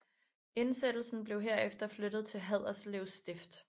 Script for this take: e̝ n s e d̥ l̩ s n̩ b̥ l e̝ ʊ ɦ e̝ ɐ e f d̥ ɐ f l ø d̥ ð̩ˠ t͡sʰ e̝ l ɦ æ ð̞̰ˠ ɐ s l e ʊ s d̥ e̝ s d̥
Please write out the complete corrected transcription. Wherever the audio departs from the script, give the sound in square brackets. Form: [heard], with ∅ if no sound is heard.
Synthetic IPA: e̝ n s e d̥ l̩ s n̩ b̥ l e̝ ʊ ɦ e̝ ɐ e f d̥ ɐ f l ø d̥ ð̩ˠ t͡sʰ e̝ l ɦ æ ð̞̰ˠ ɐ s l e ʊ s d̥ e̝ [f] d̥